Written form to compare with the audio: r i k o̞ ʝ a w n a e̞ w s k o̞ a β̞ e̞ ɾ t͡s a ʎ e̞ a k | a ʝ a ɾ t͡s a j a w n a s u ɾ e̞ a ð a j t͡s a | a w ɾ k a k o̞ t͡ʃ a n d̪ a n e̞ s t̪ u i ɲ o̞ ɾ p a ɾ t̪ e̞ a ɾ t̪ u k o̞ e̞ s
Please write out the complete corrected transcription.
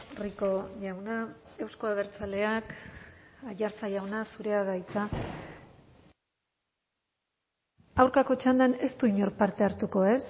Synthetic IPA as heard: r i k o̞ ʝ a w n a e̞ w s k o̞ a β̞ e̞ ɾ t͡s a l e̞ a k | a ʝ a ɾ t͡s a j a w n a s u ɾ e̞ a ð a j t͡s a | a w ɾ k a k o̞ t͡ʃ a n d̪ a n e̞ s t̪ u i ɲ o̞ ɾ p a ɾ t̪ e̞ a ɾ t̪ u k o̞ e̞ s